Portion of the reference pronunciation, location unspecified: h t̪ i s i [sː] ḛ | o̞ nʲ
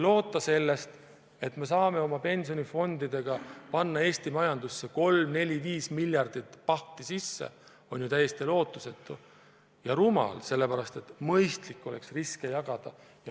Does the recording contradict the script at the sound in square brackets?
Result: no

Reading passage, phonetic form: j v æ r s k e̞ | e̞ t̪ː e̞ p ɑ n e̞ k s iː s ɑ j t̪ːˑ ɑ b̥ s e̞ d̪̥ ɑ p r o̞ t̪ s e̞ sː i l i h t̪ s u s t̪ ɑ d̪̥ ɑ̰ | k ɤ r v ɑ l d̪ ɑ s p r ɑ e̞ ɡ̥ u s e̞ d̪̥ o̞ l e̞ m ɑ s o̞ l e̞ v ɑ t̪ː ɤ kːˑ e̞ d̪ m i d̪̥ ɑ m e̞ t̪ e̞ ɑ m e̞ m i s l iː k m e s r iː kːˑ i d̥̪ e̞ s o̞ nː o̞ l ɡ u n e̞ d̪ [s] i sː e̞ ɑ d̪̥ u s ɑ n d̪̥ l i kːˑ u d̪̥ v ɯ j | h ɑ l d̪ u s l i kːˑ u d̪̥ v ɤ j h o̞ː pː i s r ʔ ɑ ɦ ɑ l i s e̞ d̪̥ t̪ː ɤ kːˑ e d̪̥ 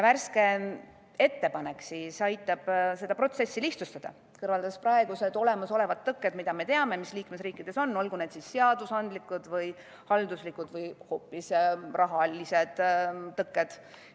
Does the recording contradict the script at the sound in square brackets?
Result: no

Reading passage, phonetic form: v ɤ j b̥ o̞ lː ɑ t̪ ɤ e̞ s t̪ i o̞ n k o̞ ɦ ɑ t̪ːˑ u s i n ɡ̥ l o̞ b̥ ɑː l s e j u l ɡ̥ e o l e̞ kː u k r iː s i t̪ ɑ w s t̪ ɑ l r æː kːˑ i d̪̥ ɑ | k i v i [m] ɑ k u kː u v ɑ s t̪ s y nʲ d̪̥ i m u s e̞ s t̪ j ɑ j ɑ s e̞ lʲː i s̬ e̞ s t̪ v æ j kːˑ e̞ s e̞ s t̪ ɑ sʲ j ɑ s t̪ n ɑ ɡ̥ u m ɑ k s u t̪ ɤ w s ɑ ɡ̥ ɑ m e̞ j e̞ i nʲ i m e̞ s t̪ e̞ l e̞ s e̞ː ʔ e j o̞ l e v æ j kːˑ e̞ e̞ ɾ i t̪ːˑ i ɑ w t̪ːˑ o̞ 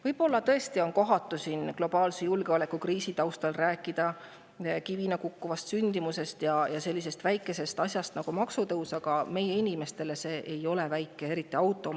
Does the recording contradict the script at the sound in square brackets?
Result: yes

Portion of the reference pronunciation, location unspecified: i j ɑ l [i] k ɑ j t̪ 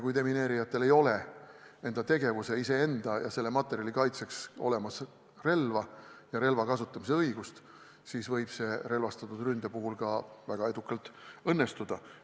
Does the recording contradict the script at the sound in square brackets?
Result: no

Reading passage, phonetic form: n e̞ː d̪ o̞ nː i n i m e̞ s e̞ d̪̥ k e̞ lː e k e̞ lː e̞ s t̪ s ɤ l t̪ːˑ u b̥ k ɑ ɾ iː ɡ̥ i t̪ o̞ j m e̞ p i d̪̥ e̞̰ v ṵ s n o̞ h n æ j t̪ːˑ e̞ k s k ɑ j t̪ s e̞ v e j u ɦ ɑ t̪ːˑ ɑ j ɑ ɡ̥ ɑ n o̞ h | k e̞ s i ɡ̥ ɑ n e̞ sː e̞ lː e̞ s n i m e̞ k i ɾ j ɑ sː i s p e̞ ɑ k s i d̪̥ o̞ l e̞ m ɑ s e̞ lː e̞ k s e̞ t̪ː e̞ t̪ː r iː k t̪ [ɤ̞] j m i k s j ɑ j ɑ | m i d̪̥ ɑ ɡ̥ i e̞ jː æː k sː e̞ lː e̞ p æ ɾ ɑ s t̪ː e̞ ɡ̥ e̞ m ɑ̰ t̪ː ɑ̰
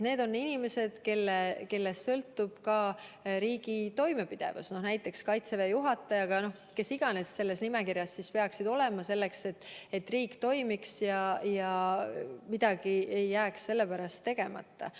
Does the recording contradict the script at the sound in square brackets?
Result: yes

